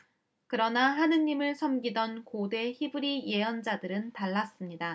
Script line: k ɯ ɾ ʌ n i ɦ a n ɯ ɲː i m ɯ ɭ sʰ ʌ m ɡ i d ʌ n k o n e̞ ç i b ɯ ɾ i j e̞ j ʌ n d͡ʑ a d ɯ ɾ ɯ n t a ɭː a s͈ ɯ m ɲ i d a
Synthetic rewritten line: k ɯ ɾ ʌ n a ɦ a n ɯ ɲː i m ɯ ɭ sʰ ʌ m ɡ i d ʌ n k o d e̞ ç i b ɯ ɾ i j e̞ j ʌ n d͡ʑ a d ɯ ɾ ɯ n t a ɭː a s͈ ɯ m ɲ i d a